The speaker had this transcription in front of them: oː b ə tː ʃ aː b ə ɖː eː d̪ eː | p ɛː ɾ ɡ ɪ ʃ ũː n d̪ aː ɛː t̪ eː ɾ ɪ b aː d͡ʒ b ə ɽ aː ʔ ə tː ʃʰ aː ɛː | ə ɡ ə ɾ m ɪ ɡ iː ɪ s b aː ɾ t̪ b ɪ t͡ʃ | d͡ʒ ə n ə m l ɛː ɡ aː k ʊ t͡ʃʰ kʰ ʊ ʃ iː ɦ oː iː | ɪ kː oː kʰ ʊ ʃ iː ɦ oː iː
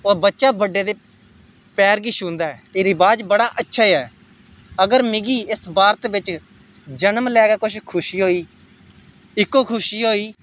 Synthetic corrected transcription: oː b ə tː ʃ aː b ə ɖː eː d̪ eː | p ɛː ɾ ɡ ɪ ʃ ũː n d̪ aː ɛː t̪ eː ɾ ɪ b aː d͡ʒ b ə ɽ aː ʔ ə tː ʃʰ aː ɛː | ə ɡ ə ɾ m ɪ ɡ iː ɪ s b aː ɾ t̪ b ɪ t͡ʃ | d͡ʒ ə n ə m l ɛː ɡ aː k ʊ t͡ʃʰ kʰ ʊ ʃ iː ɦ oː iː | ɪ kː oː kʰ ʊ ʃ iː ɦ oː iː